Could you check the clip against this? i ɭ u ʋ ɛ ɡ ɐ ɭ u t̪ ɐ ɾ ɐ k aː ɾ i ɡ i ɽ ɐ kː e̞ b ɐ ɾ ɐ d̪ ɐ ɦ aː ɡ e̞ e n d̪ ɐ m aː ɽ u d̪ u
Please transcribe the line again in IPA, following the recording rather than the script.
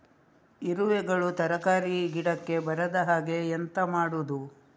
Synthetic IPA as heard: i ɾ u ʋ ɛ ɡ ɐ ɭ u t̪ ɐ ɾ ɐ k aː ɾ i ɡ i ɽ ɐ kː e̞ b ɐ ɾ ɐ d̪ ɐ ɦ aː ɡ e̞ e n t̪ ɐ m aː ɽ u d̪ u